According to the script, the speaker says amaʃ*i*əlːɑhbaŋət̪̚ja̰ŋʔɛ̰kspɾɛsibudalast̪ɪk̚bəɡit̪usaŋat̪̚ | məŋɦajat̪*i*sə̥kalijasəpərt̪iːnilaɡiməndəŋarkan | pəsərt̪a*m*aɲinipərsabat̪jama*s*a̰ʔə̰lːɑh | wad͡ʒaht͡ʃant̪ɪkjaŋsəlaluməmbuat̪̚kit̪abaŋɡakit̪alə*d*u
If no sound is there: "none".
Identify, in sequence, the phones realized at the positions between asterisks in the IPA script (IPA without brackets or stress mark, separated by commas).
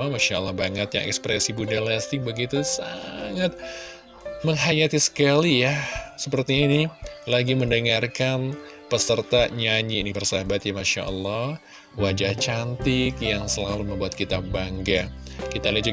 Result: a, i, ɲ, ʃ, d͡ʒ